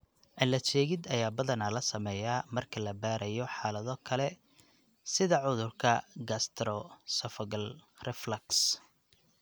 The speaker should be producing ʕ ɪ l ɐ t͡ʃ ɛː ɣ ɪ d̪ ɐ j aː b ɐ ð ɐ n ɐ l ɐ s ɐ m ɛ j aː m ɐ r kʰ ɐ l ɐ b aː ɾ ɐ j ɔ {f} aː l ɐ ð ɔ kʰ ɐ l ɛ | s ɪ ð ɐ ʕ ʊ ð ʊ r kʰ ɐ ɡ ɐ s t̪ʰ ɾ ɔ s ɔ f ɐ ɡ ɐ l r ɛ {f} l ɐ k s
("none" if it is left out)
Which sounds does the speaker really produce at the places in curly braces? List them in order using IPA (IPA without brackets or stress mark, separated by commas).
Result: ħ, f